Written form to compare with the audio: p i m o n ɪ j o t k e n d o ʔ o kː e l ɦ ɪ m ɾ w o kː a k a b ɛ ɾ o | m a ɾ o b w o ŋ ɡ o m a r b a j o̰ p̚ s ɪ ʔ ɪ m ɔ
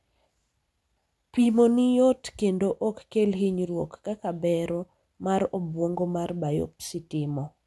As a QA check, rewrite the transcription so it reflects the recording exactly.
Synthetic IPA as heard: p i m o n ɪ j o t k e n d o ʔ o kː e l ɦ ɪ ɲ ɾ w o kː a k a b ɛ ɾ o | m a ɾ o b w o ŋ ɡ o m a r b a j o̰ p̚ s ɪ t ɪ m ɔ